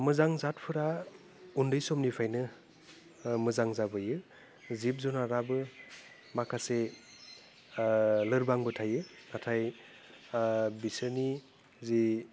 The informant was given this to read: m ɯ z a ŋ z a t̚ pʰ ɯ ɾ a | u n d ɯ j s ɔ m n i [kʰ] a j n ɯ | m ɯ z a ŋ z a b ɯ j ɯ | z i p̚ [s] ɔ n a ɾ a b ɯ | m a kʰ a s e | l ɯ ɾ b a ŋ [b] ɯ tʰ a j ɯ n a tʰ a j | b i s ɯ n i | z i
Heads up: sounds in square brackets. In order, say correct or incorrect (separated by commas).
incorrect, incorrect, correct